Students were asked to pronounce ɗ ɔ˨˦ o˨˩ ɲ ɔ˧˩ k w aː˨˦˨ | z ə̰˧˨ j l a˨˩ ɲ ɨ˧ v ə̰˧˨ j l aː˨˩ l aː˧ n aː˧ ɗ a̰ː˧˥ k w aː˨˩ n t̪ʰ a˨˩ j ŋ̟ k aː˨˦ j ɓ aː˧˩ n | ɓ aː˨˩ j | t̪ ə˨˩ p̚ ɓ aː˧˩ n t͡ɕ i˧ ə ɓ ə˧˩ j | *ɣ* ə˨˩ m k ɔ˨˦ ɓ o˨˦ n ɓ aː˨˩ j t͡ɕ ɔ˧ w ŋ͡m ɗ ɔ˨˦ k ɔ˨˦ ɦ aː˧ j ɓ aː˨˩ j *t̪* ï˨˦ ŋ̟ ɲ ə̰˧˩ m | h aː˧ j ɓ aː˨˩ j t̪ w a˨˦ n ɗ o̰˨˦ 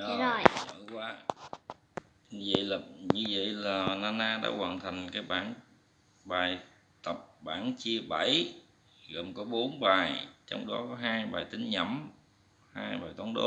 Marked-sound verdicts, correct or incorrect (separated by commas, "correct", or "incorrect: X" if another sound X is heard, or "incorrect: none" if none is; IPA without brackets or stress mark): correct, correct